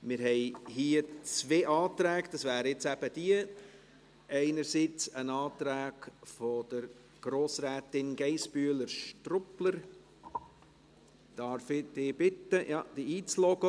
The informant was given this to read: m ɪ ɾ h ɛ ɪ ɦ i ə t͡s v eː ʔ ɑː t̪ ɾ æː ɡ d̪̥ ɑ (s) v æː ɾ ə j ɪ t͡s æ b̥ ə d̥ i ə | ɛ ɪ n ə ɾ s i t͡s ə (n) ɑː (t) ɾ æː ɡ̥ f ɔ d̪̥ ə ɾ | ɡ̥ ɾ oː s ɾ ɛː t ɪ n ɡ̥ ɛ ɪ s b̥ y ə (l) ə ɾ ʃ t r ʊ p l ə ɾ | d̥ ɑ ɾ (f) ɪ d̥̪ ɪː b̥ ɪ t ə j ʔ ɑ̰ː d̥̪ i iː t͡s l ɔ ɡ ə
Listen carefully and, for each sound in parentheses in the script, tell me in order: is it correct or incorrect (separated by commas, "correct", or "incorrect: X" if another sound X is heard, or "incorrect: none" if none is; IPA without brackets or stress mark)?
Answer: correct, correct, correct, correct, correct